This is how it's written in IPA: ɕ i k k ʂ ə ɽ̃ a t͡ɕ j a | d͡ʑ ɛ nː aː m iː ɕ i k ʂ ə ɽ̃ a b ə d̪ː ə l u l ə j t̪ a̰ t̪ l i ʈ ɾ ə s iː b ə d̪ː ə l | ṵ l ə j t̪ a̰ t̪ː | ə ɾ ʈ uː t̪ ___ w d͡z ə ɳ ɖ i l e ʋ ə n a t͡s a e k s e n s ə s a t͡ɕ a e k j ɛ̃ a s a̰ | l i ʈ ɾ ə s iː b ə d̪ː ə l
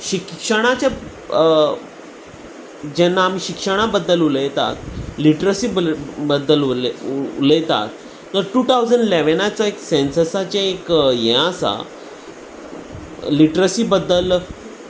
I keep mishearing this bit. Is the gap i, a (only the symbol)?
a